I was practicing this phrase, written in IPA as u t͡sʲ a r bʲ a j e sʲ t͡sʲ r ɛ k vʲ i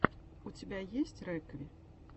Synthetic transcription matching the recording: u t͡sʲ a bʲ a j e sʲ t͡sʲ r ɛ k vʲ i